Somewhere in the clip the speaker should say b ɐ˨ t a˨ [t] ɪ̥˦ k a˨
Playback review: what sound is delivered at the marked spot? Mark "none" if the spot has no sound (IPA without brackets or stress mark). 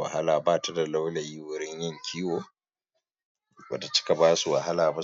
t͡ʃ